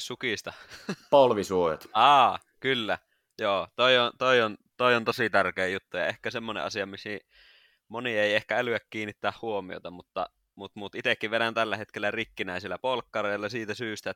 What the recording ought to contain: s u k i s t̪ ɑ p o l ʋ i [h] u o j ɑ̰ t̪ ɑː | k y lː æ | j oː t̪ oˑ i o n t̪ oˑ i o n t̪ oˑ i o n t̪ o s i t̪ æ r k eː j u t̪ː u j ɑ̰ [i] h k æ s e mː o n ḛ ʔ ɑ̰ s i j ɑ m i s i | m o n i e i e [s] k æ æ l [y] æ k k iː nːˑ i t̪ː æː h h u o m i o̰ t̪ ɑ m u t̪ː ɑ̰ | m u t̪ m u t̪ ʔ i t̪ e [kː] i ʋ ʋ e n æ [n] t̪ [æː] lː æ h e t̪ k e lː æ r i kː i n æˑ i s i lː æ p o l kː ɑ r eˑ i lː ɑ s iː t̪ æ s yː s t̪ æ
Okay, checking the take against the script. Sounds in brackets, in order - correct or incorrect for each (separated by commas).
incorrect, incorrect, incorrect, correct, correct, correct, incorrect